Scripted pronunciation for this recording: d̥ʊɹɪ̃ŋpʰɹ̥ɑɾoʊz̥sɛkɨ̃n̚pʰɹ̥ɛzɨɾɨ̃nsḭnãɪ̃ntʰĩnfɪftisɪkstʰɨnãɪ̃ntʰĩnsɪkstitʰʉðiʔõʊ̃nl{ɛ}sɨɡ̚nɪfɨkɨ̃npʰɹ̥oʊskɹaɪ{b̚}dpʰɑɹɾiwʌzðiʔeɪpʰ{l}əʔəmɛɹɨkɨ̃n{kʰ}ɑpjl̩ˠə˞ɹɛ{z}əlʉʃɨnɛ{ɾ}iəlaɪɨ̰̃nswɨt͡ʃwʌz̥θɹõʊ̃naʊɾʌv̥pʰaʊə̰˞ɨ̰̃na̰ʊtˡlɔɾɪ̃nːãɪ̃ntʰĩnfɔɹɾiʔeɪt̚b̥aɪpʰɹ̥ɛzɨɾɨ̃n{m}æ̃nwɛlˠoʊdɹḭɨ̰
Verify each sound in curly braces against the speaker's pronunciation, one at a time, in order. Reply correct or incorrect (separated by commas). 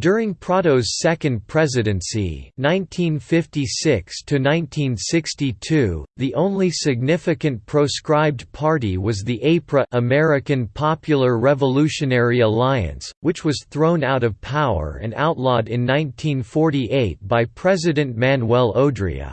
incorrect, correct, incorrect, incorrect, incorrect, incorrect, correct